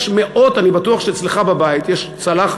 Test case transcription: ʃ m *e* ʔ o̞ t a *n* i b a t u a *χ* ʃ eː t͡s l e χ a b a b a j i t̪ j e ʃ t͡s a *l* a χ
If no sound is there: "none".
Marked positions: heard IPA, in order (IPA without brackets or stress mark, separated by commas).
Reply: e, n, χ, l